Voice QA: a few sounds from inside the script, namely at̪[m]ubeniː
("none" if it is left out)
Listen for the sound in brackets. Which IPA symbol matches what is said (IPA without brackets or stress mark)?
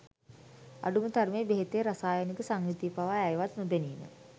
n